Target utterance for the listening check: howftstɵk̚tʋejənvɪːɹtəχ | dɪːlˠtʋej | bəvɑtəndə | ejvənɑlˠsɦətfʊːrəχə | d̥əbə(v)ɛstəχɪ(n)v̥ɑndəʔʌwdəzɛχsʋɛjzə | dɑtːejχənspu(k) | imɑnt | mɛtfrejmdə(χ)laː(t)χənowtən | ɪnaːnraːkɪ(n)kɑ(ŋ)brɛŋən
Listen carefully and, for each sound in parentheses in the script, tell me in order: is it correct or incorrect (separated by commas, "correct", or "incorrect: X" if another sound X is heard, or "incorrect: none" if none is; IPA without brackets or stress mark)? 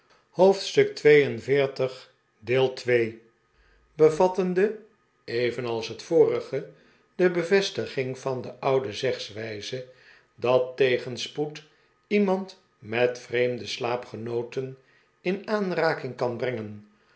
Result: correct, incorrect: ŋ, incorrect: t, incorrect: s, incorrect: p, incorrect: ŋ, incorrect: n